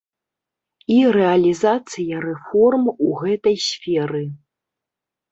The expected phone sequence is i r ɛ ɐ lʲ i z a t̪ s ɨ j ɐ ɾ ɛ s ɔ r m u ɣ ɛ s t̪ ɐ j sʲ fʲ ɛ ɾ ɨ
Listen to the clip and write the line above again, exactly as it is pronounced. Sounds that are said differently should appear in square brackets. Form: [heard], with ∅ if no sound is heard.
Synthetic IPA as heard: i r ɛ ɐ lʲ i z a t̪ s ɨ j ɐ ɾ ɛ [f] ɔ r m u ɣ ɛ [∅] t̪ ɐ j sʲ fʲ ɛ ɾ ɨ